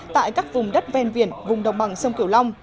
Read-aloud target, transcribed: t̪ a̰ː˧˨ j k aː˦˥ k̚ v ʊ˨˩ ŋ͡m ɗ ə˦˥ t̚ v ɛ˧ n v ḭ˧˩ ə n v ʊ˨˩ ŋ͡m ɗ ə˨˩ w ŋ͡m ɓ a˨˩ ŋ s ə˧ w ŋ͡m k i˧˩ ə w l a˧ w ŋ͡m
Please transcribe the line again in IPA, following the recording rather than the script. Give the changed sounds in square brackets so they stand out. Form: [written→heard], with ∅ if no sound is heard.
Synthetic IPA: t̪ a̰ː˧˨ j k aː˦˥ k̚ v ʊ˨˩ ŋ͡m ɗ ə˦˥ t̚ v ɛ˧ n v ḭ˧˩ ə n v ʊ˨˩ ŋ͡m ɗ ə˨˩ w ŋ͡m ɓ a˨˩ ŋ s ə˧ w ŋ͡m k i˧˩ ə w l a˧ w ŋ͡m

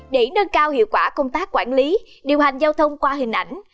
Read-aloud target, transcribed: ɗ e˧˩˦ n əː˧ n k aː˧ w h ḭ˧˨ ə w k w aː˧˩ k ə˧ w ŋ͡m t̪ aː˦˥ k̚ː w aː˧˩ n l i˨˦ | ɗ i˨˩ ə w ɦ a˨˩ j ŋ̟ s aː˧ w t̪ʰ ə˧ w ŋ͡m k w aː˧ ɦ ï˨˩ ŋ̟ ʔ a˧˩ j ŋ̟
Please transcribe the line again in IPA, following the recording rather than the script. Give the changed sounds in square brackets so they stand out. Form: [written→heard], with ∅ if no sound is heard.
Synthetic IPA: ɗ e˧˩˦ n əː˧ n k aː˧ w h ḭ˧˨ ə w k w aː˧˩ k ə˧ w ŋ͡m t̪ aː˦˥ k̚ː w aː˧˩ n l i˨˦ | ɗ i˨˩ ə w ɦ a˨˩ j ŋ̟ [s→z] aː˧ w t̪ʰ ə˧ w ŋ͡m k w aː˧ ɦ ï˨˩ ŋ̟ ʔ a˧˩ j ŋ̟

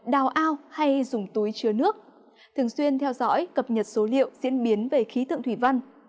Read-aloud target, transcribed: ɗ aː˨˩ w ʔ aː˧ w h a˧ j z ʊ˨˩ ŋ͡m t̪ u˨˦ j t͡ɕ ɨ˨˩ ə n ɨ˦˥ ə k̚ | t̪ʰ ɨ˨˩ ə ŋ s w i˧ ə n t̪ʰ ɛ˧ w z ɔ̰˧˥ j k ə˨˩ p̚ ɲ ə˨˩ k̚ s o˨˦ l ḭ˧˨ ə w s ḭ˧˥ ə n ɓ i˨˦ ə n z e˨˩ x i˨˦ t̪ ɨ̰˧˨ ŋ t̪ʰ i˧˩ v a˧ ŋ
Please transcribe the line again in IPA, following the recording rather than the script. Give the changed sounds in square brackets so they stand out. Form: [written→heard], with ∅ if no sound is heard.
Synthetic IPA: ɗ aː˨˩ w ʔ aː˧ w h a˧ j z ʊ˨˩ ŋ͡m t̪ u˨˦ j t͡ɕ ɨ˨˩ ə n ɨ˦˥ ə k̚ | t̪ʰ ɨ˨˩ ə ŋ s w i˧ ə n t̪ʰ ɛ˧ w z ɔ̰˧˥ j k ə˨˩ p̚ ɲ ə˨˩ [k̚→t̚] s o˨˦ l ḭ˧˨ ə w [s→z] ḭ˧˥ ə n ɓ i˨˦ ə n [z→v] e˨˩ x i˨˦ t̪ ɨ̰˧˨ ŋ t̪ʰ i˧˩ v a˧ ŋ

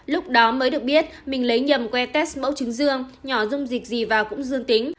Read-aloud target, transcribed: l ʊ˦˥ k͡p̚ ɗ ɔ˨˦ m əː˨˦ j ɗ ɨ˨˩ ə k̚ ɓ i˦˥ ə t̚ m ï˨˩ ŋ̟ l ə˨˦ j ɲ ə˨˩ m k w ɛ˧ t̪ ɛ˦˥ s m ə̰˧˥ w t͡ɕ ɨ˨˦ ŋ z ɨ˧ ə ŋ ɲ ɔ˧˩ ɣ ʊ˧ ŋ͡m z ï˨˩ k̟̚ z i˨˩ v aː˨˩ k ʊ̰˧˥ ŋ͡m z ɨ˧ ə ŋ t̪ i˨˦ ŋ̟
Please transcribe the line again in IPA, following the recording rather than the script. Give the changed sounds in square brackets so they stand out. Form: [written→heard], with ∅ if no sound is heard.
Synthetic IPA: l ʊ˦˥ k͡p̚ ɗ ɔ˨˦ m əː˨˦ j ɗ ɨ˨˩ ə k̚ ɓ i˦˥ ə t̚ m ï˨˩ ŋ̟ l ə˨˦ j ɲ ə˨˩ m k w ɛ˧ t̪ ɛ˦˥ s m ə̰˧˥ w t͡ɕ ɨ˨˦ ŋ z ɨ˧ ə ŋ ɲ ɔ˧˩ [ɣ→z] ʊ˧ ŋ͡m z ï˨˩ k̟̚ z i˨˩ v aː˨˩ k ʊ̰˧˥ ŋ͡m z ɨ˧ ə ŋ t̪ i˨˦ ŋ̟

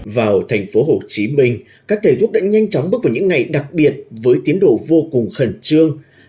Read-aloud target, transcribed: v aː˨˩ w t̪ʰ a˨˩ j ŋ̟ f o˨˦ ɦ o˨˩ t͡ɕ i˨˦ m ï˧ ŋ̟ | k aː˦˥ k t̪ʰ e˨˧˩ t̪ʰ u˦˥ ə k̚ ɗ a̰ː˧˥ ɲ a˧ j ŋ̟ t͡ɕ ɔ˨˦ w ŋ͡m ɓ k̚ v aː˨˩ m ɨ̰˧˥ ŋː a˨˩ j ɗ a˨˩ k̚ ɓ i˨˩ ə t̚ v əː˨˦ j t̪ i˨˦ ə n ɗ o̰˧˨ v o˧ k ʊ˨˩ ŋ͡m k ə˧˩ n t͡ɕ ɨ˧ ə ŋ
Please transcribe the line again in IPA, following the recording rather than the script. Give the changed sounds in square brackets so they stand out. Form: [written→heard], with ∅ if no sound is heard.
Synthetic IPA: v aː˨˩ w t̪ʰ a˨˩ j ŋ̟ f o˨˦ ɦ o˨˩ t͡ɕ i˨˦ m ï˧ ŋ̟ | k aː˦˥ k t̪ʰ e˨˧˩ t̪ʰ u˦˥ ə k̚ ɗ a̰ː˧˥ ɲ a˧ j ŋ̟ t͡ɕ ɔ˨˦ w ŋ͡m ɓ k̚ v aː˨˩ [m→ɲ] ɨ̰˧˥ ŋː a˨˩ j ɗ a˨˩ k̚ ɓ i˨˩ ə t̚ v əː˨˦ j t̪ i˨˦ ə n ɗ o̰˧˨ v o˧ k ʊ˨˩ ŋ͡m [k→x] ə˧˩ n t͡ɕ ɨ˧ ə ŋ

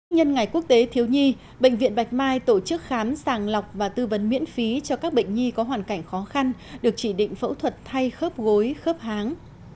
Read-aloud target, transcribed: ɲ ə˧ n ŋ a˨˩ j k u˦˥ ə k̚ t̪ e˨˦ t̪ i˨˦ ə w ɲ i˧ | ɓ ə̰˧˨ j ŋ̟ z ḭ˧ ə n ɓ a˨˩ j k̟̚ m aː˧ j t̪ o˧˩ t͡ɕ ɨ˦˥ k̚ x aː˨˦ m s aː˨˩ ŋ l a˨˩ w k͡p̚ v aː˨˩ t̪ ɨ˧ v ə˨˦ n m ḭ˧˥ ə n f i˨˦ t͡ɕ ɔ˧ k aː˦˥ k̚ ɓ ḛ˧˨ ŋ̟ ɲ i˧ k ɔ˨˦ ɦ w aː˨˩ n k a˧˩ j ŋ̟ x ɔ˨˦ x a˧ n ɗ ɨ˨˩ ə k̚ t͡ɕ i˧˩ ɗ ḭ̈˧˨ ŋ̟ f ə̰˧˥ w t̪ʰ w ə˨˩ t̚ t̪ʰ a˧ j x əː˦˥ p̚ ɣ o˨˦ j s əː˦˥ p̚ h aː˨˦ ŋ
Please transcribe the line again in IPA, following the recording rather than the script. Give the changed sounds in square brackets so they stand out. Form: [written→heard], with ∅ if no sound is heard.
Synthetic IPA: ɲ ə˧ n ŋ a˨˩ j k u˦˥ ə k̚ t̪ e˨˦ [t̪→t̪ʰ] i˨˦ ə w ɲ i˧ | ɓ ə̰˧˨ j ŋ̟ [z→v] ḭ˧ ə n ɓ a˨˩ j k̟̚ m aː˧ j t̪ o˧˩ t͡ɕ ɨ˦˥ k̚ x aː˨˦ m s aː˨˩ ŋ l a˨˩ w k͡p̚ v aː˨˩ t̪ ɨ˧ v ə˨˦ n m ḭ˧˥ ə n f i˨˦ t͡ɕ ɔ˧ k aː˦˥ k̚ ɓ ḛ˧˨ ŋ̟ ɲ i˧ k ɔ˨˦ ɦ w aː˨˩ n k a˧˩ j ŋ̟ x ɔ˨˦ x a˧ n ɗ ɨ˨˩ ə k̚ t͡ɕ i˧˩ ɗ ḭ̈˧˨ ŋ̟ f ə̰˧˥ w t̪ʰ w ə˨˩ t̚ t̪ʰ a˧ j x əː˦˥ p̚ ɣ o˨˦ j [s→x] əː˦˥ p̚ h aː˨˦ ŋ

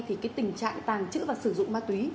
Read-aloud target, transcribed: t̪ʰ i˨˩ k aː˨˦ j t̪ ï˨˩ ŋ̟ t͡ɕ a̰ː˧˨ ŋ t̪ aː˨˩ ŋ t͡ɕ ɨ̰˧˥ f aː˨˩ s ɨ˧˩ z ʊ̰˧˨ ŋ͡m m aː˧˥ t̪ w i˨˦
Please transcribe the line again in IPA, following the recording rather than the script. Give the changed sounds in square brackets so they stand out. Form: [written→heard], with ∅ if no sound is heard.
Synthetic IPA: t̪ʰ i˨˩ k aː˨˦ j t̪ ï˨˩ ŋ̟ t͡ɕ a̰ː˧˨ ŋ t̪ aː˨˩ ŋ t͡ɕ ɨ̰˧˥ [f→v] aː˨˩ s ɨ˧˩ z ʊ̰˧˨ ŋ͡m m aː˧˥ t̪ w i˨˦

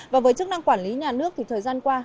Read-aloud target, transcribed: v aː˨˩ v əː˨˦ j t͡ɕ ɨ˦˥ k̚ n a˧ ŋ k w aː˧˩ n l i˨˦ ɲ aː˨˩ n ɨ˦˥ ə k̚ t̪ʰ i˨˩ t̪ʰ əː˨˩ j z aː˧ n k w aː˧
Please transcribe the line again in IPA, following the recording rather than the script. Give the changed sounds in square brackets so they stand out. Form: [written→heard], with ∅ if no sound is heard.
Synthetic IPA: v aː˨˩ v əː˨˦ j t͡ɕ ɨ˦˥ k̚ n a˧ ŋ k w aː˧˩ n l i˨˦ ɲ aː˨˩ n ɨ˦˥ ə k̚ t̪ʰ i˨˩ t̪ʰ əː˨˩ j z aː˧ n k w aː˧

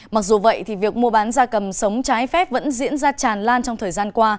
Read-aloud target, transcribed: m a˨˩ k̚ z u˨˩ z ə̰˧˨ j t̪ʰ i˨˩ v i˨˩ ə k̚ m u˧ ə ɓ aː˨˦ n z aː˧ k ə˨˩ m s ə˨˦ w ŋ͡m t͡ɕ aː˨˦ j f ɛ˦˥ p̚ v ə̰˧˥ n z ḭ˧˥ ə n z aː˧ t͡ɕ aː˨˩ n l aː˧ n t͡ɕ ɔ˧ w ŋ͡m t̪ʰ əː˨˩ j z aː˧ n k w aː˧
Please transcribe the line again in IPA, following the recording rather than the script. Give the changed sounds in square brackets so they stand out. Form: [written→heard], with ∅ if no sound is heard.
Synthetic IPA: m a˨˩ k̚ z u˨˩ [z→v] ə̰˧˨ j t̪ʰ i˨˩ v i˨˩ ə k̚ m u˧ ə ɓ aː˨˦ n z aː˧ k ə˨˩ m s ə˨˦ w ŋ͡m t͡ɕ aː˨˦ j f ɛ˦˥ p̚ v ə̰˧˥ n z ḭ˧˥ ə n z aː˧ t͡ɕ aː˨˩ n l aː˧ n t͡ɕ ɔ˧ w ŋ͡m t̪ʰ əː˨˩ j z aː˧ n k w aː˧

